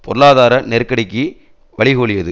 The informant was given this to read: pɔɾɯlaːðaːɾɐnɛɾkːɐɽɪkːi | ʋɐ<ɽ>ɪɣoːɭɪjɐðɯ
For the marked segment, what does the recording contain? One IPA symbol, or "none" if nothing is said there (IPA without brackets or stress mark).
ɭ